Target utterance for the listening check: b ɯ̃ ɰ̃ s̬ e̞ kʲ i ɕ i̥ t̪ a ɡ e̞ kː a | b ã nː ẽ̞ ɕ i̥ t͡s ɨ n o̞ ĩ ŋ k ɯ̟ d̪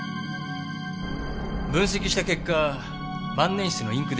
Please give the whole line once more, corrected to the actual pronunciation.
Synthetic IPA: b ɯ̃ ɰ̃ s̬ e̞ kʲ i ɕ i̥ t̪ a k e̞ kː a | b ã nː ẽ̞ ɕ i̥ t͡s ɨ n o̞ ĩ ŋ k ɯ̟ d̪